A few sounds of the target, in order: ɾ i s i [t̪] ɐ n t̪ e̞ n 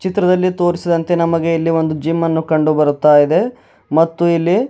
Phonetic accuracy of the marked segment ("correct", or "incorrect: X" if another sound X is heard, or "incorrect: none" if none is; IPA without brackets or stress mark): incorrect: d̪